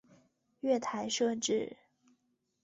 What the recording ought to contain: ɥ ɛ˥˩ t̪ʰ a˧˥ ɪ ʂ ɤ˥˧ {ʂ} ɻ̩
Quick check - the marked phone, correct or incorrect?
incorrect